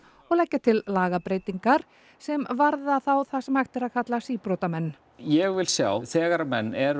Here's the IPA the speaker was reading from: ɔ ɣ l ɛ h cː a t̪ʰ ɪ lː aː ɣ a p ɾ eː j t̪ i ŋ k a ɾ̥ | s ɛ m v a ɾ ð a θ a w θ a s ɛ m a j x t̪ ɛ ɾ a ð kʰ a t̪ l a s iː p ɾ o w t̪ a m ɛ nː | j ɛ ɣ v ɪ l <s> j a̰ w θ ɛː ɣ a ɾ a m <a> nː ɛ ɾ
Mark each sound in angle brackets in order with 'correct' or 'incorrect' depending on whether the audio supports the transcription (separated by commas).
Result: correct, incorrect